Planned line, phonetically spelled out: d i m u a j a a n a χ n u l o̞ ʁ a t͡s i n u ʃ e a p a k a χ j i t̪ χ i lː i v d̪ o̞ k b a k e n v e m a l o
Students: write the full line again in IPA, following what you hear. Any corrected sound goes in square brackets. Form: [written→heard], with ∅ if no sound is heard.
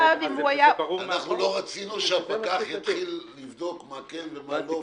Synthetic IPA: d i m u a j a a n a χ n u l o̞ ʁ a t͡s i n u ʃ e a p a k a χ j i t̪ χ i lː i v d̪ o̞ k [b→m] a k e n v e m a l o